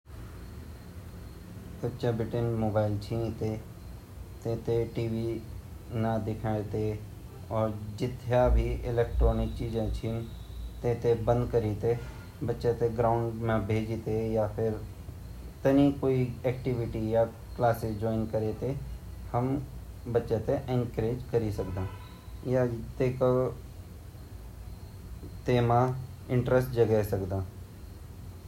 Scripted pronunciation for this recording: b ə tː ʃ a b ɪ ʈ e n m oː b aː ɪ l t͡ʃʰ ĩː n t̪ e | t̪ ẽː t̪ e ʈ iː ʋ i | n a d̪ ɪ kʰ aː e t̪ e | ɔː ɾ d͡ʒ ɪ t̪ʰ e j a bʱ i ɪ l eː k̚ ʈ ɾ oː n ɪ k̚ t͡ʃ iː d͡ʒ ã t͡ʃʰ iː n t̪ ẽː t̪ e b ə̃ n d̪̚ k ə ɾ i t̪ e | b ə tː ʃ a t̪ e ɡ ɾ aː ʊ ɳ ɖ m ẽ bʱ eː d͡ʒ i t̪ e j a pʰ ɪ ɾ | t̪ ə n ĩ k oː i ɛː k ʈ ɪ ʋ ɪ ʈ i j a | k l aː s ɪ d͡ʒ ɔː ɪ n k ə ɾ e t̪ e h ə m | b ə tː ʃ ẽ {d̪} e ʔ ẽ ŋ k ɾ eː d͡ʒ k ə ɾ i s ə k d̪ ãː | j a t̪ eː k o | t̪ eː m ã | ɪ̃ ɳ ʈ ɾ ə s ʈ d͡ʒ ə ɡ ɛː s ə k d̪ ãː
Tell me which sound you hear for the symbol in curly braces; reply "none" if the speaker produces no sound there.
t̪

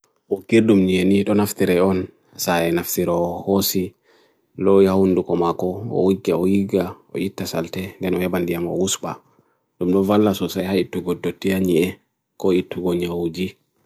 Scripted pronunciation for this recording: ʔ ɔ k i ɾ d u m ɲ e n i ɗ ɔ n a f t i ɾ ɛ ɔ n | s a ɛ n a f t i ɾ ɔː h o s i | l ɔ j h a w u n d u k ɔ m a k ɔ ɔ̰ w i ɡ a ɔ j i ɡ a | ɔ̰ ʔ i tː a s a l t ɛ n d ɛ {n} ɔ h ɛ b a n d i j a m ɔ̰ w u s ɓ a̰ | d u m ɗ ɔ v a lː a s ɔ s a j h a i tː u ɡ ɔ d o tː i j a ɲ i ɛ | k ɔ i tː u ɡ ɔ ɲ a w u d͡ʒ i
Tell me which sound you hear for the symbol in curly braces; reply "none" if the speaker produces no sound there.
n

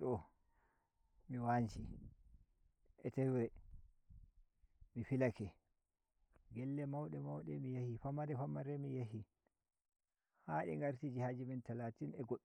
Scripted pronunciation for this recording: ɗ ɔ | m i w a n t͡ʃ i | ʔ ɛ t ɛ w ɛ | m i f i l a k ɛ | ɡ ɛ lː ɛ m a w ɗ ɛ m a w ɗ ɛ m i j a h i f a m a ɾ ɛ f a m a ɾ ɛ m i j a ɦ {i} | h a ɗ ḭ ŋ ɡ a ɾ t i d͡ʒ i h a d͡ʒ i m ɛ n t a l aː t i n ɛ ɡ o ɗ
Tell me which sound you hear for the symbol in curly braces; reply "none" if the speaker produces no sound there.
i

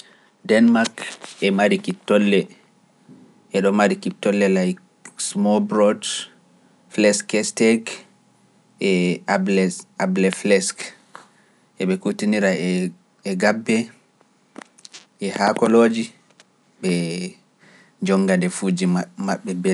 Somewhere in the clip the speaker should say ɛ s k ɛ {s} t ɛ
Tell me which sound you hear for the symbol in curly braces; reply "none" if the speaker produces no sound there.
s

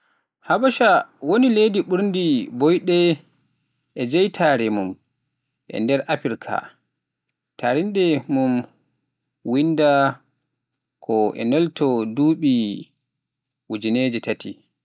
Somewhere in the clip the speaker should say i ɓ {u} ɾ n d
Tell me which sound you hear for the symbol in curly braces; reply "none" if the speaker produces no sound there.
u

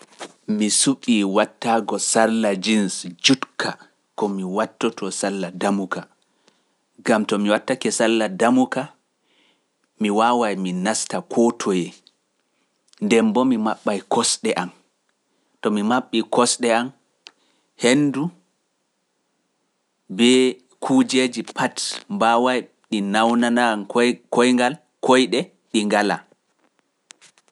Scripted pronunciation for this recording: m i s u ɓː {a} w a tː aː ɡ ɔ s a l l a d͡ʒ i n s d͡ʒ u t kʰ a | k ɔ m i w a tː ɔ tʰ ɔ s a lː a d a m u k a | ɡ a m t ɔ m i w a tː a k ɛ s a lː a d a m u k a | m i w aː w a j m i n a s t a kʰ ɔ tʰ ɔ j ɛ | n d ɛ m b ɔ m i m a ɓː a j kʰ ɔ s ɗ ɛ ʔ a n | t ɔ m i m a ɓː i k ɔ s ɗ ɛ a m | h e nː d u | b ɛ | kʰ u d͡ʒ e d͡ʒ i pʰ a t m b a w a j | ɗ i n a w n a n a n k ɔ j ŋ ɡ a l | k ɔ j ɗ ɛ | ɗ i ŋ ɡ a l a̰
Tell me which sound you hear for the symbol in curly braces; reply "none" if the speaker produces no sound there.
i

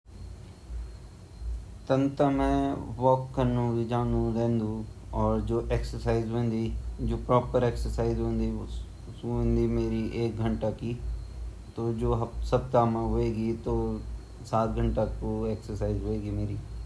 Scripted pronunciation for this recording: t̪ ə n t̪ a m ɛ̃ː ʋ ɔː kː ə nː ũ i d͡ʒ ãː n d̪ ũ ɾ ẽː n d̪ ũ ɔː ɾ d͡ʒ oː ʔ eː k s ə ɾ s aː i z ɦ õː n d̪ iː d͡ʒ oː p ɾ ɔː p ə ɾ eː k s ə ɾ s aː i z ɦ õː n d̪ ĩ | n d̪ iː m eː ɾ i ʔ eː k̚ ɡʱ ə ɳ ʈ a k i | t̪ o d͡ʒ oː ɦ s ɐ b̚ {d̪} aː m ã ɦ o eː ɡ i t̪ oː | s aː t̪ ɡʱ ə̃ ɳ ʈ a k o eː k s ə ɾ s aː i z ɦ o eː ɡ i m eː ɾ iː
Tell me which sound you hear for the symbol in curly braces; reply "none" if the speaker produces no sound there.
t̪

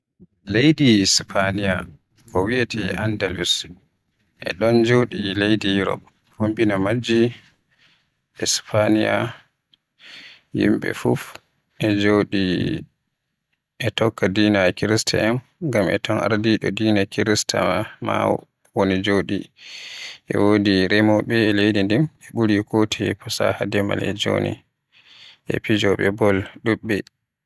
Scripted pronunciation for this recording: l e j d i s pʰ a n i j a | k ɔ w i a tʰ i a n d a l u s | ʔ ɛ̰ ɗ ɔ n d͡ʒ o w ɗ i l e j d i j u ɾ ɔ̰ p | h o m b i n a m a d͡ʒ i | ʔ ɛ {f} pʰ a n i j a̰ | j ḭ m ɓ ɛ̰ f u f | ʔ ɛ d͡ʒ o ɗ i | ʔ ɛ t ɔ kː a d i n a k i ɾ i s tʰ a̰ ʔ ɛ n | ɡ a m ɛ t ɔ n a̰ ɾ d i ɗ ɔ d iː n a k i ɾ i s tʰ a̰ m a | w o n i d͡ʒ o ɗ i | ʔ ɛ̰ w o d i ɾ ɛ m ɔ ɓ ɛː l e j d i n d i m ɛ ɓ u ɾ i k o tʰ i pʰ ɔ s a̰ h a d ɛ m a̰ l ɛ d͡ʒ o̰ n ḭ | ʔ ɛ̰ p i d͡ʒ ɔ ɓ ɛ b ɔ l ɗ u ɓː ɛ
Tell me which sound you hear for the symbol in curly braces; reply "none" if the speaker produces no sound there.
s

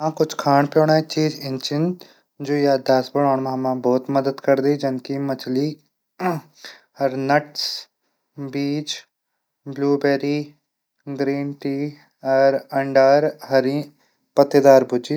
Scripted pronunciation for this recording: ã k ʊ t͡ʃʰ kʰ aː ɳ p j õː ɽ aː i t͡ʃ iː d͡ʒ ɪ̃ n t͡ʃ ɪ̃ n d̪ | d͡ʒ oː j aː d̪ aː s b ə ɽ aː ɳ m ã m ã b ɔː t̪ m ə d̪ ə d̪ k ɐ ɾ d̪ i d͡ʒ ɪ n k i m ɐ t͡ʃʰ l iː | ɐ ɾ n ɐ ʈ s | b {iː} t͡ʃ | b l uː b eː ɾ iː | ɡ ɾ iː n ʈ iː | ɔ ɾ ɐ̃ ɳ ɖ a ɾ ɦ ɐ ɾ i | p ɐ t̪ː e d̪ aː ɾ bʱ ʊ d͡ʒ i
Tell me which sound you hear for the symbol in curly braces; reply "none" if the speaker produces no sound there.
iː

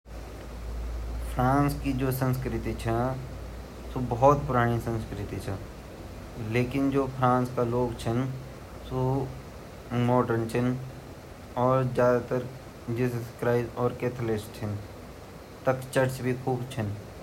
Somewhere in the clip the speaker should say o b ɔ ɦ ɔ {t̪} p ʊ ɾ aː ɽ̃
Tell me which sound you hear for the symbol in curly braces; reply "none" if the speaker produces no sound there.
t̪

